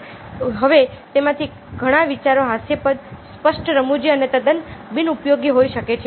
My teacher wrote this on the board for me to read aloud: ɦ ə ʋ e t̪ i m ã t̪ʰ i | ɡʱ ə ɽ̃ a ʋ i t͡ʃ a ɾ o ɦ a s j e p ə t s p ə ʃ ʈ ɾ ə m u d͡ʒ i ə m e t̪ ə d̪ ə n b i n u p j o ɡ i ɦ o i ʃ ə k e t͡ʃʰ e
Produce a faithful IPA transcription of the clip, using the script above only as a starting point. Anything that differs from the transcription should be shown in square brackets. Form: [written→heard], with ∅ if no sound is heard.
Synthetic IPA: ɦ ə ʋ e t̪ [i→e] m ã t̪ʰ i | ɡʱ ə ɽ̃ a ʋ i t͡ʃ a ɾ o ɦ a s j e p ə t s p ə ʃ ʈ ɾ ə m u d͡ʒ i ə [m→n] e t̪ ə d̪ ə n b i n u p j o ɡ i ɦ o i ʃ ə k e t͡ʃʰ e